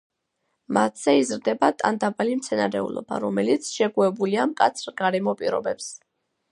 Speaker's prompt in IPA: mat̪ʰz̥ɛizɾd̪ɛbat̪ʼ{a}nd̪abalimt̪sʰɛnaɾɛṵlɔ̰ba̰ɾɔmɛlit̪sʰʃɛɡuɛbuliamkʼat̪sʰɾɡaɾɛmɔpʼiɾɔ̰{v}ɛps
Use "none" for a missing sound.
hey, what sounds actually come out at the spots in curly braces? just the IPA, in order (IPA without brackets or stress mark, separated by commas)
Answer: a, b